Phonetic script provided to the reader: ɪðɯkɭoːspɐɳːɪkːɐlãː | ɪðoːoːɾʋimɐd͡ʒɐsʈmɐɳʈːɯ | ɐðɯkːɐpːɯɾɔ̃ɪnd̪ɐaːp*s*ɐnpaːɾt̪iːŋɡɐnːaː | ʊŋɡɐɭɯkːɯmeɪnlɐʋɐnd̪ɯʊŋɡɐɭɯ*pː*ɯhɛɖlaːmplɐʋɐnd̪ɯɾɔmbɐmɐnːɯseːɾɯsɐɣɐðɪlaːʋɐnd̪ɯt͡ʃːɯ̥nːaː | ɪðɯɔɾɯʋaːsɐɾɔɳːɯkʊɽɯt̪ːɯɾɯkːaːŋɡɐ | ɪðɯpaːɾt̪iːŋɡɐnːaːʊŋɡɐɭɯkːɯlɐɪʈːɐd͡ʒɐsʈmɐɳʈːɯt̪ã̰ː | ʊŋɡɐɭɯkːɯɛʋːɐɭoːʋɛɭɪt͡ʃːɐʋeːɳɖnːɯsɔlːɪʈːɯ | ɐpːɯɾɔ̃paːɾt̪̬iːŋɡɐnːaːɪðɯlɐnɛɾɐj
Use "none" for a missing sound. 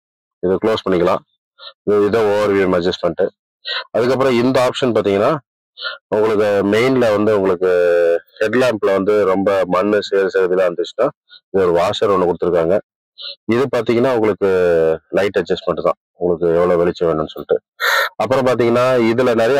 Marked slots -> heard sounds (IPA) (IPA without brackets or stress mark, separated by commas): ʂ, kː